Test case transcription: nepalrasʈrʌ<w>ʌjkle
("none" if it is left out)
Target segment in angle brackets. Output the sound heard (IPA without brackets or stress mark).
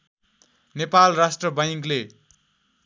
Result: b